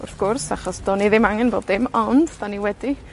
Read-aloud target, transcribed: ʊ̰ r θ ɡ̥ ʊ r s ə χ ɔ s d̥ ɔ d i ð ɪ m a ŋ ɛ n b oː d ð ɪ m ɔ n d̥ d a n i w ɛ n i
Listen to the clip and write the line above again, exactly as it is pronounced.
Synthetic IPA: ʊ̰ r θ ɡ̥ ʊ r s a χ ɔ s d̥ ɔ n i ð ɪ m a ŋ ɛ n b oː d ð ɪ m ɔ n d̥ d a n i w ɛ d i